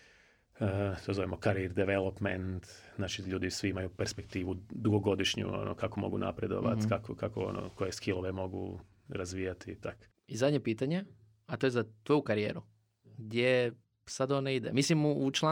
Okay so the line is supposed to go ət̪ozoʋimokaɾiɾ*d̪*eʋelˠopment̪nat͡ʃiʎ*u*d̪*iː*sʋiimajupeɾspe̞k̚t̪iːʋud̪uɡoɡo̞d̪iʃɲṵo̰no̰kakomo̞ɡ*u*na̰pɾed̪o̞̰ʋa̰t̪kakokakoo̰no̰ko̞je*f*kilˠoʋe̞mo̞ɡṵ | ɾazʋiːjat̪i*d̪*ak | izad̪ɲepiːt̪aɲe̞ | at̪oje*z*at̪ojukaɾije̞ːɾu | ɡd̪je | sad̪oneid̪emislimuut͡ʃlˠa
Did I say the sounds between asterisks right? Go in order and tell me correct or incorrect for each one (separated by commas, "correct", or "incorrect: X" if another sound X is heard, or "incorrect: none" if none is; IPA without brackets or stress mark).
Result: correct, incorrect: uː, incorrect: i, correct, incorrect: s, incorrect: t̪, correct